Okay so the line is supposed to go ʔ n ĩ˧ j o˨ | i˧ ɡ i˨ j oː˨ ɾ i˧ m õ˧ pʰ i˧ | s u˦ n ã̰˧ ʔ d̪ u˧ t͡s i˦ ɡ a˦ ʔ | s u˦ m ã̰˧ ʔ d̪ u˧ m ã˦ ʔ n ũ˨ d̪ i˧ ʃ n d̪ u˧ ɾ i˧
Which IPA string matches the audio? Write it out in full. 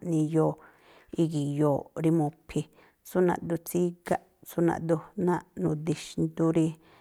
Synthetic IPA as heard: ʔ n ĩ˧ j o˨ | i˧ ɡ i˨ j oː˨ ɾ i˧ m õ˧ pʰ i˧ | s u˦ n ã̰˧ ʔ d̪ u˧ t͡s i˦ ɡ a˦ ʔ | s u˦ n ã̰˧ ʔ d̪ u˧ n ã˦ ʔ n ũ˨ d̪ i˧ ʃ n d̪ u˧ ɾ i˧